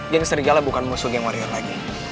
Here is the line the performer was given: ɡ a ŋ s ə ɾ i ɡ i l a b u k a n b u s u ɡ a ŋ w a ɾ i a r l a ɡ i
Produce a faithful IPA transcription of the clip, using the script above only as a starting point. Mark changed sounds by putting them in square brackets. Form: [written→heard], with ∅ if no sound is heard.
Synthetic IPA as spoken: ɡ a ŋ s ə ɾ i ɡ [i→a] l a b u k a n [b→m] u s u ɡ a ŋ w a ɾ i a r l a ɡ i